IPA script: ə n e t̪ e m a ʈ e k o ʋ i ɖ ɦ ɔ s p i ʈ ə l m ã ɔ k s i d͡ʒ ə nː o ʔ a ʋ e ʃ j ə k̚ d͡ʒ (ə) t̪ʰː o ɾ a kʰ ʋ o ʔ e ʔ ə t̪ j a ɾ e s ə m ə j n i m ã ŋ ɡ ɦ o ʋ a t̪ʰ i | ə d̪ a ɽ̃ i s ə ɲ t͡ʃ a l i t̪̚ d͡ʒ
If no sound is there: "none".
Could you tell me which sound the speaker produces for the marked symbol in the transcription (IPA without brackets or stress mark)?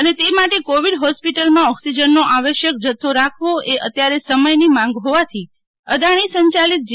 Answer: ə